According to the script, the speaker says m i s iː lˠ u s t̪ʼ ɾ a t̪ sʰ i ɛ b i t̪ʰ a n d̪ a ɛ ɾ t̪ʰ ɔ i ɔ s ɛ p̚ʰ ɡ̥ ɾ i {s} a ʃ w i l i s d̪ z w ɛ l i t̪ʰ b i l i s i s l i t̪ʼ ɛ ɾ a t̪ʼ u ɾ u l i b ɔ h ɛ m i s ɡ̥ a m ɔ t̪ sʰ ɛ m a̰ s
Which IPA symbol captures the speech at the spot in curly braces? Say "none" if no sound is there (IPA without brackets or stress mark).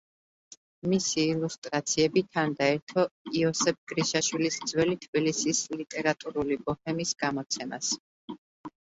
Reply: ʃ